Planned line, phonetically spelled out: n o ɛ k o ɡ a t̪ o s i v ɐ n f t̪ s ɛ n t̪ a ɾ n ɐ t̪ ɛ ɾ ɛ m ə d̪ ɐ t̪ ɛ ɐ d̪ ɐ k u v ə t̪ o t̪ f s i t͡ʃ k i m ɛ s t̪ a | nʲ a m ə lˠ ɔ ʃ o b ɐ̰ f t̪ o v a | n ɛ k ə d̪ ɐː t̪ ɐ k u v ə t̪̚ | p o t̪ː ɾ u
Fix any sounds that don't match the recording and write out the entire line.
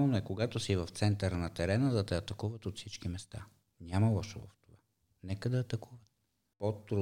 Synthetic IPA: n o ɛ k o ɡ a t̪ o s i v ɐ f t̪ s ɛ n t̪ ə ɾ n ɐ t̪ ɛ ɾ ɛ n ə d̪ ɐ t̪ ɛ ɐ t̪ ɐ k u v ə t̪ o t̪ f s i t͡ʃ k i m ɛ s t̪ a | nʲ a m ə lˠ ɔ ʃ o v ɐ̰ f t̪ o v a | n ɛ k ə d̪ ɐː t̪ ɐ k u v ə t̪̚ | p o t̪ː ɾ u